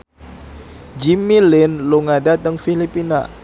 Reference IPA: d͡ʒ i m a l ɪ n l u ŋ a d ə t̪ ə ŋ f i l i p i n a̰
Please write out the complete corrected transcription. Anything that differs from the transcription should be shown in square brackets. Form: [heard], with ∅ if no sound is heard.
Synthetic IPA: d͡ʒ i m [i] l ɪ n l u ŋ a d [a] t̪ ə ŋ f i l i p i n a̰